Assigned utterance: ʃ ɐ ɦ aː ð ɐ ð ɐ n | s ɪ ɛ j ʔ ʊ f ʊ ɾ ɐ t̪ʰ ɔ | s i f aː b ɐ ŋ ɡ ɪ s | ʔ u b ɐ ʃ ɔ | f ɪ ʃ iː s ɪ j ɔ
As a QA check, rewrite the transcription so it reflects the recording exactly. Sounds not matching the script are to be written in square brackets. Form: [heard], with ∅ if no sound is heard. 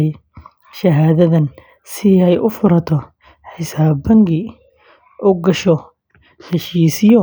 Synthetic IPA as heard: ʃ ɐ ɦ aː ð ɐ ð ɐ n | s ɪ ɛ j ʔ ʊ f ʊ ɾ ɐ t̪ʰ ɔ | [ħ] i [s] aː b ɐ ŋ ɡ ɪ [∅] | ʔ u [ɡ] ɐ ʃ ɔ | [ħ] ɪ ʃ iː s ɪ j ɔ